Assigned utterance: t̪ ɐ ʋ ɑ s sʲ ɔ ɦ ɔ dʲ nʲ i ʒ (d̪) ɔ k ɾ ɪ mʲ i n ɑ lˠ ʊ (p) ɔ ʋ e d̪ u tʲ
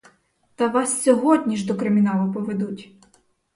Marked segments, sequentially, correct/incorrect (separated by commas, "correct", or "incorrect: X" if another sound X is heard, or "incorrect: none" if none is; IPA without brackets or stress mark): correct, correct